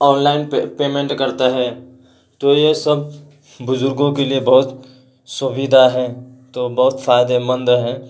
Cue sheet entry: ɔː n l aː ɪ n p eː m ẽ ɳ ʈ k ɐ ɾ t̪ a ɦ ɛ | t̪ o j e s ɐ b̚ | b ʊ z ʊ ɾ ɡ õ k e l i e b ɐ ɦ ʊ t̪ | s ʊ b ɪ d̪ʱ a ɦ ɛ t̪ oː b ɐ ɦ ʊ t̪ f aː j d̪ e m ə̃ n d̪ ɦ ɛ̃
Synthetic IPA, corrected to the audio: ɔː n l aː ɪ n p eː m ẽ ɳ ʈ k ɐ ɾ t̪ a ɦ ɛ | t̪ o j e s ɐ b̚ | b ʊ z ʊ ɾ ɡ õ k e l i e b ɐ ɦ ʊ t̪ | s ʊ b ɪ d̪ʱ a ɦ ɛ t̪ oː b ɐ ɦ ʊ t̪ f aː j d̪ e m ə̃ n d̪ ɦ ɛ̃